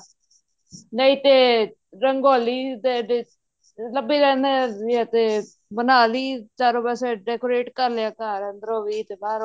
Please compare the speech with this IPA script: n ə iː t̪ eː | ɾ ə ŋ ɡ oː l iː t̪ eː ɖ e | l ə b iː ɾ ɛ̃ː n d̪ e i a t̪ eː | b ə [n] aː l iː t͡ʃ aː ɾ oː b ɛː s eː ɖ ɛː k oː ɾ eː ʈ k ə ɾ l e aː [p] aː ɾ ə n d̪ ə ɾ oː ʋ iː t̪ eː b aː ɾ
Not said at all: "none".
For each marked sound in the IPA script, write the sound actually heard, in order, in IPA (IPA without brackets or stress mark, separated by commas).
n, k